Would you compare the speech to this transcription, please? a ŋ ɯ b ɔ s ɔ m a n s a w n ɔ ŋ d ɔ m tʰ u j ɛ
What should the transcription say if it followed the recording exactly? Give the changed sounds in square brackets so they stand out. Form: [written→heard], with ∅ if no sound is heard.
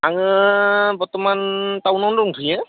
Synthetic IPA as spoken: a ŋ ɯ b ɔ [s→t] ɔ m a n [s→t] a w n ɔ [ŋ→n] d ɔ [m→ŋ] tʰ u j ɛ